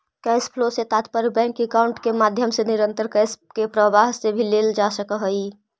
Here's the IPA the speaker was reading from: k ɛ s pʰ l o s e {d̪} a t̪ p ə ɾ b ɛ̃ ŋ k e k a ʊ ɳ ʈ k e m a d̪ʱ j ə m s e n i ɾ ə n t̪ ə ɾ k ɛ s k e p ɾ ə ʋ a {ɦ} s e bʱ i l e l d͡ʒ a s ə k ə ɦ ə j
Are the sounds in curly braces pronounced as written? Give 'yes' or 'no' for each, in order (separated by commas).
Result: no, yes